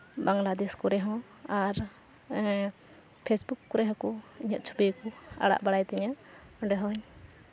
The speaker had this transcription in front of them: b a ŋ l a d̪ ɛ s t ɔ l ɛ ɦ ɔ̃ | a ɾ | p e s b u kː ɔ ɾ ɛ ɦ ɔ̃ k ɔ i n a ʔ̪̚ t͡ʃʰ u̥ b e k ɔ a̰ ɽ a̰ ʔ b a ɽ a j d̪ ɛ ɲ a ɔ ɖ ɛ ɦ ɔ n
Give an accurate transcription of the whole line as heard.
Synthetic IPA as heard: b a ŋ l a d̪ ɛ s k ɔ ɾ ɛ ɦ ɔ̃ | a ɾ | pʰ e s b u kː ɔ ɾ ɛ ɦ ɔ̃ k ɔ i ɲ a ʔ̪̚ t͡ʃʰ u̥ b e k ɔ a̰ ɽ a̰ ʔ b a ɽ a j t̪ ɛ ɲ a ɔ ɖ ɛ ɦ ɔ ɲ